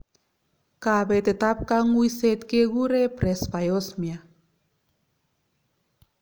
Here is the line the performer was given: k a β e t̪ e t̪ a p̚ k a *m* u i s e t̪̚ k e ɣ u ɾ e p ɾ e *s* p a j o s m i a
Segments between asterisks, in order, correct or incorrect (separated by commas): incorrect, correct